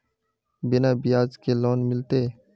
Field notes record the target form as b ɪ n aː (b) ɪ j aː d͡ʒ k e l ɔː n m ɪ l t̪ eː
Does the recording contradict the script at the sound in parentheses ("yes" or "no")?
no